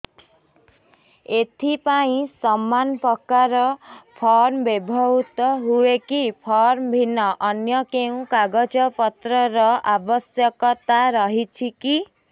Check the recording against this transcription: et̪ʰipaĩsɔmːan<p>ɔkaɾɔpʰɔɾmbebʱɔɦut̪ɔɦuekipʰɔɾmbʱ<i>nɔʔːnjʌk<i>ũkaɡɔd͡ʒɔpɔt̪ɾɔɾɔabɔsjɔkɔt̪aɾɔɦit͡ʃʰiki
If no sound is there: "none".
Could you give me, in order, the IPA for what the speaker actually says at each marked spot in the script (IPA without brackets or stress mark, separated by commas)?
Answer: p, i, e